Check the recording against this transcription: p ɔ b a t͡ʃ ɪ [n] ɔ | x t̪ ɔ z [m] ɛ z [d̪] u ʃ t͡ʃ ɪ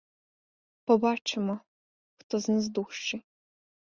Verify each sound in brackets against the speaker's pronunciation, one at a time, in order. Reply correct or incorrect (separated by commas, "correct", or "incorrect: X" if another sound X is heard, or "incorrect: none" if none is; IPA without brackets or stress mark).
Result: incorrect: m, incorrect: n, correct